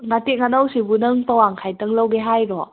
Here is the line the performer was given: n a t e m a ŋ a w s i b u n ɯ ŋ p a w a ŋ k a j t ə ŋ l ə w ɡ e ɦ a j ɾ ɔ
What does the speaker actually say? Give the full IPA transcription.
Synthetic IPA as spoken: ŋ a t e ŋ a n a w s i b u n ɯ ŋ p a w a ŋ kʰ a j t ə ŋ l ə w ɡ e ɦ a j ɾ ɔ